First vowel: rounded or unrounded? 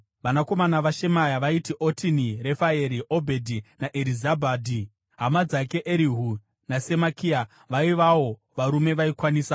unrounded